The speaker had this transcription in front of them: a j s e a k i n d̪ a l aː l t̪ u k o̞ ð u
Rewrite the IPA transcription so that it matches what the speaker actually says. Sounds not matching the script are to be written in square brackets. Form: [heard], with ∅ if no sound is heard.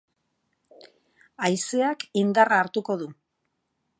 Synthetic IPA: a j s e a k i n d̪ a [r] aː [ɾ] t̪ u k o̞ ð u